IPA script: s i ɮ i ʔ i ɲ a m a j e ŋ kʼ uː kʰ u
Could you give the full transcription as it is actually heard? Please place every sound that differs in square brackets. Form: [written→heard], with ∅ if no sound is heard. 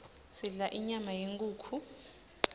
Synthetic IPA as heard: s i ɮ [i→a] ʔ i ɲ a m a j e ŋ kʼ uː kʰ u